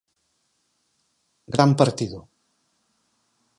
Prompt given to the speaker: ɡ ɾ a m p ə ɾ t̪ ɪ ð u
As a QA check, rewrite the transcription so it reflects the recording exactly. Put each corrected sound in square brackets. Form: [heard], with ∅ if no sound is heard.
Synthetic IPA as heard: ɡ ɾ a m p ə ɾ t̪ [i] ð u